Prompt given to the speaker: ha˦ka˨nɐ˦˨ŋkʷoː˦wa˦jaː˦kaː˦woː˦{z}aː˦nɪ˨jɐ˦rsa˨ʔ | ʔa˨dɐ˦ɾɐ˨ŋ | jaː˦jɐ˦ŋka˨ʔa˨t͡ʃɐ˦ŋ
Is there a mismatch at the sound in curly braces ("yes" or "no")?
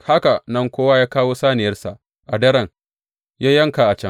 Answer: yes